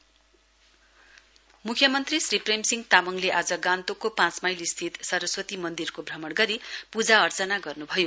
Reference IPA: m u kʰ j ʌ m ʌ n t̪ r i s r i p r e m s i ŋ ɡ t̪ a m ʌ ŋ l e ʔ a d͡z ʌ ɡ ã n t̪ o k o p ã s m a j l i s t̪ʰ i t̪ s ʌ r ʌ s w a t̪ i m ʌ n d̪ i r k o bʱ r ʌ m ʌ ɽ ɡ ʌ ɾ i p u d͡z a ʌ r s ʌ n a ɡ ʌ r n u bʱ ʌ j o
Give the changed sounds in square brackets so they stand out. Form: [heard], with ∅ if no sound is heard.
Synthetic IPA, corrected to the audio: m u kʰ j ʌ m ʌ n t̪ r i s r i p r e m s i ŋ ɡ t̪ a m ʌ ŋ l e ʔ a d͡z ʌ ɡ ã n t̪ o k o p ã [t͡s] m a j l i s t̪ʰ i t̪ s ʌ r ʌ s w [ʌ] t̪ i m ʌ n d̪ i r k o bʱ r ʌ m ʌ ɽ ɡ ʌ ɾ i p u d͡z a ʌ r [t͡s] ʌ n a ɡ ʌ r n u bʱ ʌ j o